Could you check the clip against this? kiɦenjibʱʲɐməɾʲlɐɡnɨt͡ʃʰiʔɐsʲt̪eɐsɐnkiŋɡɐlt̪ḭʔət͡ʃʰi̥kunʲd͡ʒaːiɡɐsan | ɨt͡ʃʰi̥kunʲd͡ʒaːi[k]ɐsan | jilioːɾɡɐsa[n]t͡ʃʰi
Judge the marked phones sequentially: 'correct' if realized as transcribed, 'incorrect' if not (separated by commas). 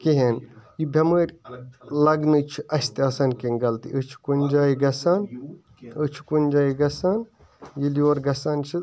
incorrect, correct